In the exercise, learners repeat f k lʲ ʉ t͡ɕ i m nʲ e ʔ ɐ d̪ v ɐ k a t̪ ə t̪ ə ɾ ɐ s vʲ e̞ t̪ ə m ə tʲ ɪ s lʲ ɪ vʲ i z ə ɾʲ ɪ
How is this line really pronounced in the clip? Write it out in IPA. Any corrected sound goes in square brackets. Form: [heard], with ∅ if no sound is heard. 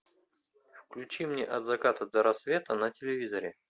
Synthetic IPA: f k lʲ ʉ t͡ɕ i m nʲ e ʔ ɐ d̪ [z] ɐ k a t̪ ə [d̪] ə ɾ ɐ s vʲ e̞ t̪ ə [n] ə tʲ ɪ [∅] lʲ ɪ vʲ i z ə ɾʲ ɪ

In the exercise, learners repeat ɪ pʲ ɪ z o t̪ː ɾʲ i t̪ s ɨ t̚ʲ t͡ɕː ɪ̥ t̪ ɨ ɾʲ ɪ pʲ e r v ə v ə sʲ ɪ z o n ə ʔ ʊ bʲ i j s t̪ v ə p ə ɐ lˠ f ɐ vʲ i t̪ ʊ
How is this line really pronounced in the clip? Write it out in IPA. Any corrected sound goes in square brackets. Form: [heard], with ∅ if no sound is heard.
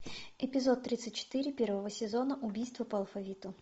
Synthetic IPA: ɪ pʲ ɪ z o t̪ː ɾʲ i t̪ s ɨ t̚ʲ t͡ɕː ɪ̥ t̪ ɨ ɾʲ ɪ pʲ e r v ə v ə sʲ ɪ z o n ə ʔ ʊ bʲ i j s t̪ v ə p ə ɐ lˠ f ɐ vʲ i t̪ ʊ

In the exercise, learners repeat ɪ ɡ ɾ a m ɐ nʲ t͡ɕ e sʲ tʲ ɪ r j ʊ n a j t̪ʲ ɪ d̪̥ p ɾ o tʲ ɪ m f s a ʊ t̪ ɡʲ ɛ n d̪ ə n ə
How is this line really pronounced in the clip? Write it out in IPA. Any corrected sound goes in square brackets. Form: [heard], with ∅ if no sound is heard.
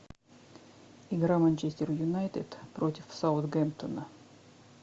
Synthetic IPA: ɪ ɡ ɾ a m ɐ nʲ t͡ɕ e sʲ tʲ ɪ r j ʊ n a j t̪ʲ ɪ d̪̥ p ɾ o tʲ ɪ [∅] f s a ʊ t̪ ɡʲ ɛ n [t̪] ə n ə

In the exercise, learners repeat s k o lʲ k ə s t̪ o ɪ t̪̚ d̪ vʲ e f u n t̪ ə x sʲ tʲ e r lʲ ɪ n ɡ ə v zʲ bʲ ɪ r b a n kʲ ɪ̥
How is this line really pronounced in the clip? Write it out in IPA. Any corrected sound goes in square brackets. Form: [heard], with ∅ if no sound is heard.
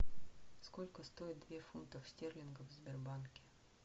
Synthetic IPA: s k o lʲ k ə s t̪ o ɪ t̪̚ d̪ vʲ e f u n t̪ ə [f] sʲ tʲ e r lʲ ɪ n ɡ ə v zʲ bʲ ɪ r b a n kʲ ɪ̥

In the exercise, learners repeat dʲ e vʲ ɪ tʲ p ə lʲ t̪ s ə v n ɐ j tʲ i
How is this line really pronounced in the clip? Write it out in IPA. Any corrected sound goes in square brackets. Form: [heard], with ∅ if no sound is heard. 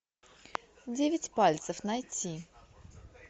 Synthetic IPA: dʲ e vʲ ɪ tʲ p [a] lʲ t̪ s ə [f] n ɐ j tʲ i

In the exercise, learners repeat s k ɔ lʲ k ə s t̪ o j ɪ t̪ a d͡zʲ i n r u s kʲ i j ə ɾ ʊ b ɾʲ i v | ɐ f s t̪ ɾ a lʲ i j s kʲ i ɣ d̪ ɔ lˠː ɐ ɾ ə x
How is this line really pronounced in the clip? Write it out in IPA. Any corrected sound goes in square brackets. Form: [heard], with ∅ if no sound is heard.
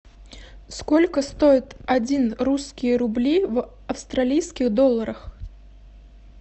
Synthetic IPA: s k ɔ lʲ k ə s t̪ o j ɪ t̪ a d͡zʲ i n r u s kʲ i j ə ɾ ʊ b [lʲ] i v | ɐ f s t̪ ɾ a lʲ i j s kʲ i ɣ d̪ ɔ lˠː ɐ ɾ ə x

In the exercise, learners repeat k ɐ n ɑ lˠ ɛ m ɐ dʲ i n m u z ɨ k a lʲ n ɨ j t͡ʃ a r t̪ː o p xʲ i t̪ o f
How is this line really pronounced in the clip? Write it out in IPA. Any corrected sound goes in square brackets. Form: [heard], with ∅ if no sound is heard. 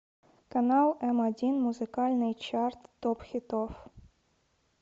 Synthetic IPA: k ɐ n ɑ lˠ ɛ m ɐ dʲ i n m u z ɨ k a lʲ n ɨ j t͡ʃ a r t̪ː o p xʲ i t̪ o f

